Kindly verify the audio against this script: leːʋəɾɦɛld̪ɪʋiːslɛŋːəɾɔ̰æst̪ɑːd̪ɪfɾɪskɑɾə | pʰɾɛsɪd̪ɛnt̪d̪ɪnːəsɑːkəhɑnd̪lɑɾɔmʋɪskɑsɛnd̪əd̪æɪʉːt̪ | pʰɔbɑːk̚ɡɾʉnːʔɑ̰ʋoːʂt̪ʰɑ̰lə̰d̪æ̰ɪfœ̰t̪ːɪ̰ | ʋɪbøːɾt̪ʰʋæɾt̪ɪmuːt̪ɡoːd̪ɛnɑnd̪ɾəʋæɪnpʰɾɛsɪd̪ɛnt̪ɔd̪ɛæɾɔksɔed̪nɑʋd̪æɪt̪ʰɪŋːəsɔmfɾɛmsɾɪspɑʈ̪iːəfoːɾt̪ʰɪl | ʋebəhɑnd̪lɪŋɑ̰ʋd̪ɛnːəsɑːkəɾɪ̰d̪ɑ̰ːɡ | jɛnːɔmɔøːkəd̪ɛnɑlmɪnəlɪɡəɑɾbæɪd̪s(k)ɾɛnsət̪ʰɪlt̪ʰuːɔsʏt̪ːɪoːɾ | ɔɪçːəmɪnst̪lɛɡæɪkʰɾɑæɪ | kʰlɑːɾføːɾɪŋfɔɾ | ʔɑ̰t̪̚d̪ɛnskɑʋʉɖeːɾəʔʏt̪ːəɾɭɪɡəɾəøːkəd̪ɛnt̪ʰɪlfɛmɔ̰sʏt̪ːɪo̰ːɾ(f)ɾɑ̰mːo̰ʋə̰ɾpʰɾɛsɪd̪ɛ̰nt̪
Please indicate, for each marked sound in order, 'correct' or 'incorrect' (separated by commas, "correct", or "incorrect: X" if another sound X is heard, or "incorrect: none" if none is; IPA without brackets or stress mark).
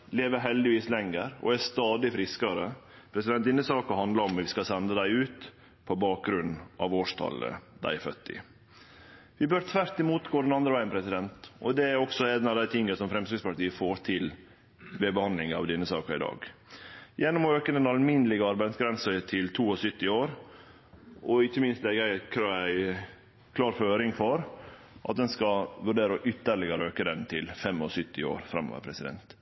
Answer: incorrect: ɡ, correct